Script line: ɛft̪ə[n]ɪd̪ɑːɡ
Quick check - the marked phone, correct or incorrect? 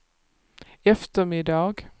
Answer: incorrect